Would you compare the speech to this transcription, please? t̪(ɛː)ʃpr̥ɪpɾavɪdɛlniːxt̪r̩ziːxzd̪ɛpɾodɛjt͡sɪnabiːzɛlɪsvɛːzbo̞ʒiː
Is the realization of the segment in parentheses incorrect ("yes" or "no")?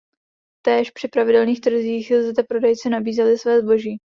no